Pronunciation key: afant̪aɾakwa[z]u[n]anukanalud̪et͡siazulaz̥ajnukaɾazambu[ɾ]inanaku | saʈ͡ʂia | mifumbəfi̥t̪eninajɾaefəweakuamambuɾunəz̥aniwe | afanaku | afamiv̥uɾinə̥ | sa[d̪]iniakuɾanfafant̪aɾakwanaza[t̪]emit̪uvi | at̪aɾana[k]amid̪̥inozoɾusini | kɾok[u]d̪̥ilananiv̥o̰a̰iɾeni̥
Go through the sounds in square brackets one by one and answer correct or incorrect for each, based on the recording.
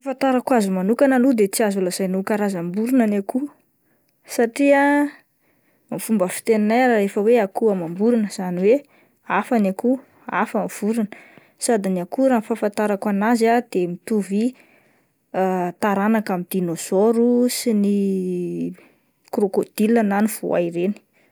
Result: correct, incorrect: m, correct, correct, incorrect: d̪, correct, incorrect: o

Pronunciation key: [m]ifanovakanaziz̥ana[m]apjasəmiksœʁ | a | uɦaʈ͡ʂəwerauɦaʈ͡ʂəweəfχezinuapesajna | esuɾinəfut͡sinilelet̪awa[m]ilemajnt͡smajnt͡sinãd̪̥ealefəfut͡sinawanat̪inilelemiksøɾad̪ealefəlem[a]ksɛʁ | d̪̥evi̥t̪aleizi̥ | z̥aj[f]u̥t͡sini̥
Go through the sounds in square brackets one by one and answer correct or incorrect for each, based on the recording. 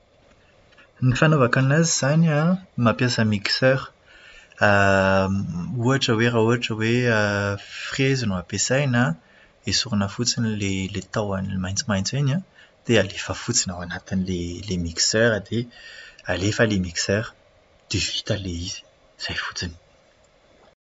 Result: incorrect: n, correct, incorrect: n, incorrect: i, correct

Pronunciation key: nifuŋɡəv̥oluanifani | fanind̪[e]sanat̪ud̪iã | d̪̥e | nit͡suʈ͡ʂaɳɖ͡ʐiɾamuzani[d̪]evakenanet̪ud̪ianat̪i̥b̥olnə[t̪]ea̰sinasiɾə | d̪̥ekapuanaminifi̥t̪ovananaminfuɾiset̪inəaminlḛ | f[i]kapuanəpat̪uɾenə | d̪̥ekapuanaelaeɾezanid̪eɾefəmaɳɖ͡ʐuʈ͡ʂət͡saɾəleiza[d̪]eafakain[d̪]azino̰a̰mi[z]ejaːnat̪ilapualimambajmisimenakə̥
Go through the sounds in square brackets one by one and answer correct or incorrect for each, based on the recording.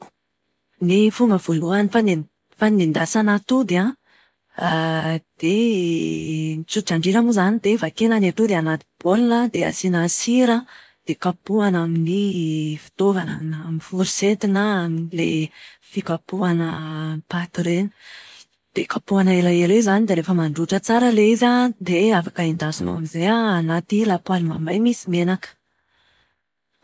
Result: incorrect: a, correct, incorrect: d̪, correct, correct, correct, correct

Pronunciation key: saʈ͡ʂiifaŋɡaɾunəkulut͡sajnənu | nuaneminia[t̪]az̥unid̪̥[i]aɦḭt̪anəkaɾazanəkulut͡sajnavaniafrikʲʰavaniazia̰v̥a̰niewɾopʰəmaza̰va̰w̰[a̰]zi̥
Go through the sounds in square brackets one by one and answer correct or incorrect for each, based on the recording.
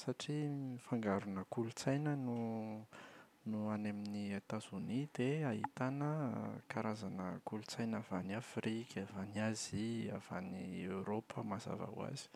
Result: correct, incorrect: e, correct

